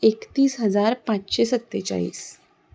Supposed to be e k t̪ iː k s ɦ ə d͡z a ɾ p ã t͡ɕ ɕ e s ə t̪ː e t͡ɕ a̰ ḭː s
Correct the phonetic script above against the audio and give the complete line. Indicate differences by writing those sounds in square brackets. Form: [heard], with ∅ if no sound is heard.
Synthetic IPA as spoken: e k t̪ iː [∅] s ɦ ə d͡z a ɾ p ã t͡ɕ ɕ e s ə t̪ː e t͡ɕ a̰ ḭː s